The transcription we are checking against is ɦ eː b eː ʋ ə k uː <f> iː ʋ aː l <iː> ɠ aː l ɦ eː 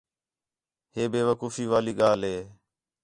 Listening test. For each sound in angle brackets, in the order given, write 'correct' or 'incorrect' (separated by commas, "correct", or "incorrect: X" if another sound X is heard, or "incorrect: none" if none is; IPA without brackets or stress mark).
correct, correct